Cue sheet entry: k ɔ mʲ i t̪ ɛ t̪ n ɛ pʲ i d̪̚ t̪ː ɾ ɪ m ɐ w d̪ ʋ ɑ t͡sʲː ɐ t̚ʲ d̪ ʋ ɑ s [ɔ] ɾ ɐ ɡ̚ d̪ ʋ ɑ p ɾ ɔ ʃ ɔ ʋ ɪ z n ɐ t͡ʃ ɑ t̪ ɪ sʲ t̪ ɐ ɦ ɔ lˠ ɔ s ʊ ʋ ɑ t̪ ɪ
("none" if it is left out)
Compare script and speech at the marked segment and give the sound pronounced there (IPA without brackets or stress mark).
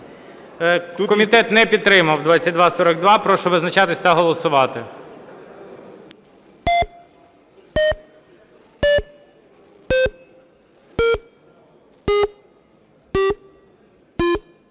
ɔ